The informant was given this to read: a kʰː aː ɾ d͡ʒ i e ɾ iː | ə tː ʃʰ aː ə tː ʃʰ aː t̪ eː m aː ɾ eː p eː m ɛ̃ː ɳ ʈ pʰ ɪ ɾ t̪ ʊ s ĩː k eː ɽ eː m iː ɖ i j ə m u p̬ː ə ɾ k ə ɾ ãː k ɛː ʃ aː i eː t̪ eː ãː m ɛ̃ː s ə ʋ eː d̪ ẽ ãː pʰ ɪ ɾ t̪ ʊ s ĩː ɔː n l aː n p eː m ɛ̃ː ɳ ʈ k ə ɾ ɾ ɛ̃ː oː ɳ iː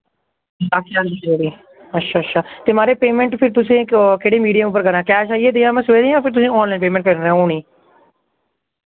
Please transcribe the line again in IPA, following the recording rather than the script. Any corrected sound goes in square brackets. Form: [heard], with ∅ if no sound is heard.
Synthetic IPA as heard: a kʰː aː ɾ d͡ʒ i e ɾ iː | ə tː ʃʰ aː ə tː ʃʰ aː t̪ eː m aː ɾ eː p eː m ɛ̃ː ɳ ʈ pʰ ɪ ɾ t̪ ʊ s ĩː k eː ɽ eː m iː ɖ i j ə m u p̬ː ə ɾ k ə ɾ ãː k ɛː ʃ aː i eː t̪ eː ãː m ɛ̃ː s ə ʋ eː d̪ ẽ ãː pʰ ɪ ɾ t̪ ʊ s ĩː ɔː n l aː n p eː m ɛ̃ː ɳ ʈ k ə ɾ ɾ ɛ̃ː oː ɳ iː